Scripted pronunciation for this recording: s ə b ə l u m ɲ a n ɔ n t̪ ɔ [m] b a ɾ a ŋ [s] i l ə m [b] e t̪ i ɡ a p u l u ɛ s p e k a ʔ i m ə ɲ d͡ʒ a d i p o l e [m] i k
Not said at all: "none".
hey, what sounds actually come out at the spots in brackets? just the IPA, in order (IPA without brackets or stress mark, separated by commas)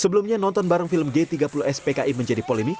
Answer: n, f, ɡ, m